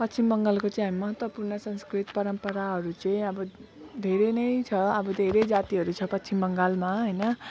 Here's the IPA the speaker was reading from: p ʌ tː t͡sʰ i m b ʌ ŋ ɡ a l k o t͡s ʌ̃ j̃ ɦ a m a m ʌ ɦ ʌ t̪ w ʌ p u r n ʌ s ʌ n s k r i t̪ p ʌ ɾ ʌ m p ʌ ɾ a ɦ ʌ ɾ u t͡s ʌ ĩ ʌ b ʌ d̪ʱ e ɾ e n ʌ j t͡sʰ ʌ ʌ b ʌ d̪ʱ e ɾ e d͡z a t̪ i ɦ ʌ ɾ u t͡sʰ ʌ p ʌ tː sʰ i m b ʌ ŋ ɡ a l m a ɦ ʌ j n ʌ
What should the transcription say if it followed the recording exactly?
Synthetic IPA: p ʌ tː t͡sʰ i m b ʌ ŋ ɡ a l k o t͡s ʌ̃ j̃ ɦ a m i m ʌ ɦ ʌ t̪ w ʌ p u r n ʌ s ʌ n s k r i t̪ p ʌ ɾ ʌ m p ʌ ɾ a ɦ ʌ ɾ u t͡s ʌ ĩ ʌ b ʌ d̪ʱ e ɾ e n ʌ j t͡sʰ ʌ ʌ b ʌ d̪ʱ e ɾ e d͡z a t̪ i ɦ ʌ ɾ u t͡sʰ ʌ p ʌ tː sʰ i m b ʌ ŋ ɡ a l m a ɦ ʌ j n ʌ